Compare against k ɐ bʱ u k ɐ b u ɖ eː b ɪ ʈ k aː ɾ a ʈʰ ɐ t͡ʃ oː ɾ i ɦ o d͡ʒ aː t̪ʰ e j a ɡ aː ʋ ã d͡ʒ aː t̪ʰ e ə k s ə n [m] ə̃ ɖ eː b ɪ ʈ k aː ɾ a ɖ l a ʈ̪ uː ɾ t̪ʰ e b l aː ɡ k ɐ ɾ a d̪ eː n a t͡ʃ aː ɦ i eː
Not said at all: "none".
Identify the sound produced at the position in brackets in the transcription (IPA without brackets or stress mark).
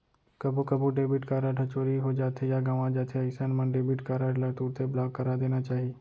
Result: m